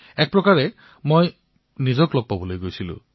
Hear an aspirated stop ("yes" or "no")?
no